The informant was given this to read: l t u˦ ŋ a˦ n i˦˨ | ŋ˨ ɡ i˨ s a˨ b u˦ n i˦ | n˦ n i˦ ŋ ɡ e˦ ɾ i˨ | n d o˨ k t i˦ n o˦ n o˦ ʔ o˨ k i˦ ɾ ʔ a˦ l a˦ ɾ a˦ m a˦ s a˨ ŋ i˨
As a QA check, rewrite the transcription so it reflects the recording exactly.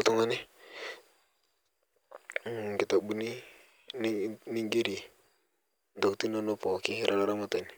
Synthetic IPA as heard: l t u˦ ŋ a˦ n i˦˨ | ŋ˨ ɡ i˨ t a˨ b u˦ n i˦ | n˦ n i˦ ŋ ɡ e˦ ɾ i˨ | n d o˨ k t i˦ n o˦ n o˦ p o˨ k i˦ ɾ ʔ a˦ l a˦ ɾ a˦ m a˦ t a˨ n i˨